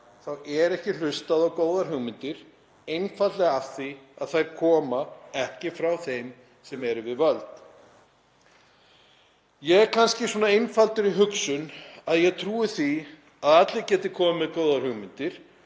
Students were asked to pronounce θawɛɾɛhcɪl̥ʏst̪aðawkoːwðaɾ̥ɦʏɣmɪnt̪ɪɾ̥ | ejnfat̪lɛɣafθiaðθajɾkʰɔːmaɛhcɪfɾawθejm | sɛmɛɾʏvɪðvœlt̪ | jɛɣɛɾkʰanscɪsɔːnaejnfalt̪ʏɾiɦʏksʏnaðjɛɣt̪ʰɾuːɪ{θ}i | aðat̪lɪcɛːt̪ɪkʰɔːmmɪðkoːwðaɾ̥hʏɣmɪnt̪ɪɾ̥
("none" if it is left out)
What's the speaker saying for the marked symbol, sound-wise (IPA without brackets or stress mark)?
θ